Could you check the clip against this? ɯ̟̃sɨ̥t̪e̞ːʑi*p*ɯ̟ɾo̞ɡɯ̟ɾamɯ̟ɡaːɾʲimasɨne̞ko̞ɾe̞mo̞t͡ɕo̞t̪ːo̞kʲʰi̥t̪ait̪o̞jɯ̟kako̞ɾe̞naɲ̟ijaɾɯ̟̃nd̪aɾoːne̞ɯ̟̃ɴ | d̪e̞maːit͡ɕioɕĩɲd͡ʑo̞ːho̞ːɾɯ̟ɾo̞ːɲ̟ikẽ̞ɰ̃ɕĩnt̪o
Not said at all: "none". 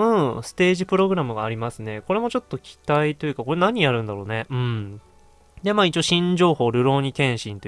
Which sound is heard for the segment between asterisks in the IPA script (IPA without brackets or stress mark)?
p